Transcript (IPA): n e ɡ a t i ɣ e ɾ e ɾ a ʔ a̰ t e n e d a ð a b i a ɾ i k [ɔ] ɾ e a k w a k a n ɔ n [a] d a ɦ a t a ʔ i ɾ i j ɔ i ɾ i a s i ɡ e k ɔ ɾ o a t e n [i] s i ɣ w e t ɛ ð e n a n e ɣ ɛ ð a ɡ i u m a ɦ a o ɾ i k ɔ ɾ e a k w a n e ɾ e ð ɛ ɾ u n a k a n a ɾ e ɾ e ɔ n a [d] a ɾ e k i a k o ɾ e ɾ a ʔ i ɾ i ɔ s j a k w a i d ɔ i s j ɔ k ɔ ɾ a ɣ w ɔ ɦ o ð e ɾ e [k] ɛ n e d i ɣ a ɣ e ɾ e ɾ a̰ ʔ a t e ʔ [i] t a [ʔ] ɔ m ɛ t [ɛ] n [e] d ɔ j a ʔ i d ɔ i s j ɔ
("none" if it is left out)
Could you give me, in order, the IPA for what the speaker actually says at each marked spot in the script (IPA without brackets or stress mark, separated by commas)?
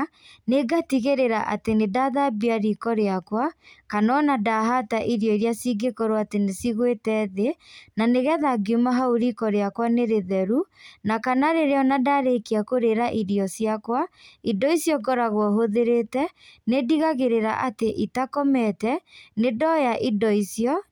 ɔ, a, e, d, t, i, k, ɛ, e